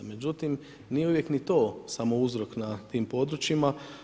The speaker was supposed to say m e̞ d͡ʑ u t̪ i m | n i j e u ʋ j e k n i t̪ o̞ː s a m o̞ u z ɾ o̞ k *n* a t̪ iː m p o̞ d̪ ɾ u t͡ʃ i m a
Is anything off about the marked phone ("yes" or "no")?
no